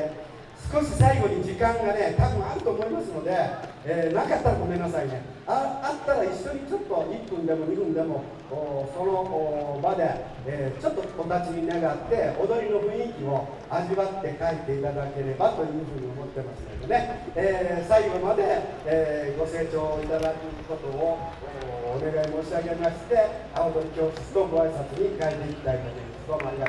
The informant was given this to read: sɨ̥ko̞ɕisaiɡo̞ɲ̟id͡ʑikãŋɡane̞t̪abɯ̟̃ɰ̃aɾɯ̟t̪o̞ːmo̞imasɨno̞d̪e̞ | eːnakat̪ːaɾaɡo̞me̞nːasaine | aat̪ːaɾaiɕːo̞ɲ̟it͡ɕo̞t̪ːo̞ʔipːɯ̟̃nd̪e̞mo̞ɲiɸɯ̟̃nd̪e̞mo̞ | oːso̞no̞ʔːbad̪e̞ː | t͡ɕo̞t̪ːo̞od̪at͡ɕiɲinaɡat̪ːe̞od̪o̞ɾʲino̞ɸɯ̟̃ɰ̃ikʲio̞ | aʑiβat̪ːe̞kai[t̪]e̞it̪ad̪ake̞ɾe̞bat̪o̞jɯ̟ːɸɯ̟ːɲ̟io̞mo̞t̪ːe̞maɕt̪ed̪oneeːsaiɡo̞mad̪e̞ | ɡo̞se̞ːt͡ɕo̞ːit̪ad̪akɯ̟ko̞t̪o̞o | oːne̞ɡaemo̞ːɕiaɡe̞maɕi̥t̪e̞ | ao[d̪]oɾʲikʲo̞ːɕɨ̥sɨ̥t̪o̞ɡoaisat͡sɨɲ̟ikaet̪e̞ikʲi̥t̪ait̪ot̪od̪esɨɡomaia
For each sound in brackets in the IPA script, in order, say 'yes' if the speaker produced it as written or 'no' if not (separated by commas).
yes, yes